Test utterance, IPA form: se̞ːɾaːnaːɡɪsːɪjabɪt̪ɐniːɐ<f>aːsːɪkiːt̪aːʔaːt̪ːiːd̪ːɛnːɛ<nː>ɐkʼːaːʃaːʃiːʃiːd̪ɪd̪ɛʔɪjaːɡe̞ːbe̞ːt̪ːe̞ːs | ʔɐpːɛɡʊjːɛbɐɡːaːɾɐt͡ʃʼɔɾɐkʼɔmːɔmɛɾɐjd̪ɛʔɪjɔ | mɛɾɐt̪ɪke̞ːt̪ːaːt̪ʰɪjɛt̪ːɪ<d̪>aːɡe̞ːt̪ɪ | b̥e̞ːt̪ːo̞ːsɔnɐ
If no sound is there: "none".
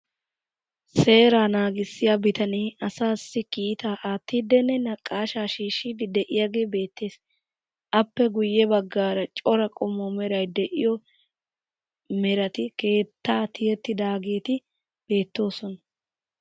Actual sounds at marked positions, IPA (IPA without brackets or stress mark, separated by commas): s, n, d̪